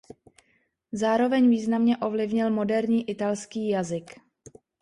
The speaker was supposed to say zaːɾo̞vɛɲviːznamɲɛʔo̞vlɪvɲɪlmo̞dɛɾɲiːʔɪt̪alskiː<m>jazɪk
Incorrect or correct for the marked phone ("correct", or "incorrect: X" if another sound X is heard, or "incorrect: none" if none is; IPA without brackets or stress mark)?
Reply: incorrect: none